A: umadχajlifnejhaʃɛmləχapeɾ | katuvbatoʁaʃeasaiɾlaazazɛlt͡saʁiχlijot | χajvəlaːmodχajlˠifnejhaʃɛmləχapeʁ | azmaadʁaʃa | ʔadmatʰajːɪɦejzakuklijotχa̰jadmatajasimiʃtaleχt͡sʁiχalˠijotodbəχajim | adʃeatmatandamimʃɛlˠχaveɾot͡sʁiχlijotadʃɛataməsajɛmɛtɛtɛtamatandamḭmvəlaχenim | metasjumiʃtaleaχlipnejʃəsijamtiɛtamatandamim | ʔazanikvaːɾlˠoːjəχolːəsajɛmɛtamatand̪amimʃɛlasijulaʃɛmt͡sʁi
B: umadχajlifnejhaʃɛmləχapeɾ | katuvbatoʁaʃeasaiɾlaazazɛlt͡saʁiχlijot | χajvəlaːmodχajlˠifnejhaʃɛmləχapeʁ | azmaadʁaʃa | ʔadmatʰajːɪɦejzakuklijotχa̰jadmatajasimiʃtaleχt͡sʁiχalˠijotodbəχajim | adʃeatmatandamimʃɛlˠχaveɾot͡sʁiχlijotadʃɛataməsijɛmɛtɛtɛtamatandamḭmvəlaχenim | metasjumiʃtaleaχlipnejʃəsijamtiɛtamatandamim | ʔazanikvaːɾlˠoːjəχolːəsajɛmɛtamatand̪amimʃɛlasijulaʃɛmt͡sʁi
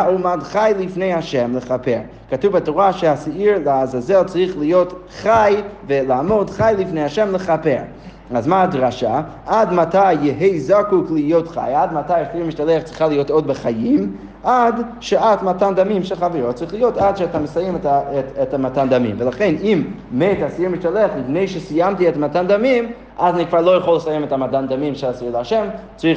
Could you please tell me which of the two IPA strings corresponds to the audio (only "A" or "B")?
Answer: A